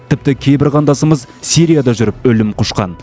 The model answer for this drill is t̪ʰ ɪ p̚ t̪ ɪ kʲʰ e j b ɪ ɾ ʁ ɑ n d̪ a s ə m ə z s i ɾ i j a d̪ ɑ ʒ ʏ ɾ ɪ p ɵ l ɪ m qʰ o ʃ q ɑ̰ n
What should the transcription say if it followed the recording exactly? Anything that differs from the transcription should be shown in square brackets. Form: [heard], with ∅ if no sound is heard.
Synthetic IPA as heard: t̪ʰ ɪ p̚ t̪ ɪ kʲʰ e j b ɪ ɾ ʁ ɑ n d̪ [ɑ] s ə m ə z s i ɾ i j a d̪ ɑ ʒ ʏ ɾ ɪ p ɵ l ɪ m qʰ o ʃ q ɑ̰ n